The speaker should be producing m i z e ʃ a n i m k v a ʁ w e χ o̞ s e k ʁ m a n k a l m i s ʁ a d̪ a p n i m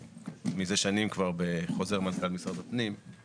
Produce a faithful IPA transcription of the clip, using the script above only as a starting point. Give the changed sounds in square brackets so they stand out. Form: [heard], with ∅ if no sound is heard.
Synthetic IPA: m i z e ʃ a n i m k v a ʁ [b] e χ o̞ [z] e [∅] ʁ m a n k a l m i s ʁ a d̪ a p n i m